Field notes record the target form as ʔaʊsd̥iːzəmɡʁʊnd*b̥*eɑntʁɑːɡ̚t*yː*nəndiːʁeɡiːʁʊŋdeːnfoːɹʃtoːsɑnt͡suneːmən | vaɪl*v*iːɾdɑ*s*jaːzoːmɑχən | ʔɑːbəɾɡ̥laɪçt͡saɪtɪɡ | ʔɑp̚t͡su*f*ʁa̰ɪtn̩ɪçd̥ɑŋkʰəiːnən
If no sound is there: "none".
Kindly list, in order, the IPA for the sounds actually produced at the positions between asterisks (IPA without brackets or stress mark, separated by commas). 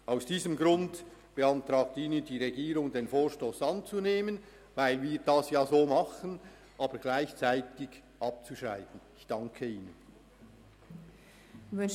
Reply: b̥, iː, v, s, ʃ